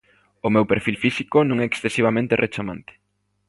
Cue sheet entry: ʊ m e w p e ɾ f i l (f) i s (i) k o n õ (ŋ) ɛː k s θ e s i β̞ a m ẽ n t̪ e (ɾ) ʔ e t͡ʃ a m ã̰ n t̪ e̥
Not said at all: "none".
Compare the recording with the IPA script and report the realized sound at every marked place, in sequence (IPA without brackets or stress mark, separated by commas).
f, i, ŋ, r